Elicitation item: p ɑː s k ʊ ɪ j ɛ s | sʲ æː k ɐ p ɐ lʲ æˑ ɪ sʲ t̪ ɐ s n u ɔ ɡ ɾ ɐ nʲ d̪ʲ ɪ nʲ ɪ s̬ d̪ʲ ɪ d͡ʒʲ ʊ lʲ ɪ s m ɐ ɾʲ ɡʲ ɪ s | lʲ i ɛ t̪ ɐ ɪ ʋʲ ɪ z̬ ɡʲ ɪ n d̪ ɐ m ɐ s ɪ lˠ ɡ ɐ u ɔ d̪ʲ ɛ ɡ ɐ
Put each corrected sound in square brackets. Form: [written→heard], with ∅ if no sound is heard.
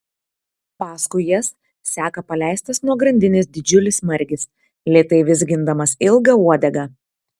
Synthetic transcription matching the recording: p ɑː s k ʊ ɪ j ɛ s | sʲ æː k ɐ p ɐ lʲ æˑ ɪ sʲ t̪ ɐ s n u ɔ ɡ ɾ ɐ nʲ d̪ʲ ɪ nʲ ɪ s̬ d̪ʲ ɪ d͡ʒʲ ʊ lʲ ɪ s m ɐ ɾʲ ɡʲ ɪ s | lʲ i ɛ t̪ ɐ ɪ ʋʲ ɪ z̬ ɡʲ ɪ n d̪ ɐ m ɐ s ɪ lˠ ɡ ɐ u ɔ d̪ʲ ɛ ɡ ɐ